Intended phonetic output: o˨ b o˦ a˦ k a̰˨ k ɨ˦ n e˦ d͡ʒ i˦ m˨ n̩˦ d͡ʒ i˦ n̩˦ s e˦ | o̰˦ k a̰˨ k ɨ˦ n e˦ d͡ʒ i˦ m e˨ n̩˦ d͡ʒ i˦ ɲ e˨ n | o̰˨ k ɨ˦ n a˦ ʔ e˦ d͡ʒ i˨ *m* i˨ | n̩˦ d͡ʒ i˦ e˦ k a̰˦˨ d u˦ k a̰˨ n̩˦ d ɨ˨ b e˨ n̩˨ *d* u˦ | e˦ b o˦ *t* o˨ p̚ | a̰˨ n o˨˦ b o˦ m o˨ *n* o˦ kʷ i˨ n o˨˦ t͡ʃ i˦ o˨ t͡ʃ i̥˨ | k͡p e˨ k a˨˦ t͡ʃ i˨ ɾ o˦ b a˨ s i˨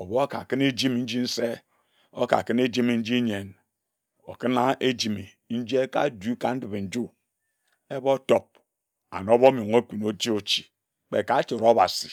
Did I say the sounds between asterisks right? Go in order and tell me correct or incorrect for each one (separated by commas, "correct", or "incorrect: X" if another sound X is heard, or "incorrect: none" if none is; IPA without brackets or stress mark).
correct, incorrect: d͡ʒ, correct, incorrect: ŋ